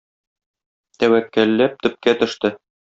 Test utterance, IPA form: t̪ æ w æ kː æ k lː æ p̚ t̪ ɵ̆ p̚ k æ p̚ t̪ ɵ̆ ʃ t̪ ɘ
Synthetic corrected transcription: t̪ æ w æ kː æ lː æ p̚ t̪ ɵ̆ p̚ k æ t̪ ɵ̆ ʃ t̪ ɘ